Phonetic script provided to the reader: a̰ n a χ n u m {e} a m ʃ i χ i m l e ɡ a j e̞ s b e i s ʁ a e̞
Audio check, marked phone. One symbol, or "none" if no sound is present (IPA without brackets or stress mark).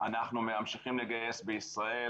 e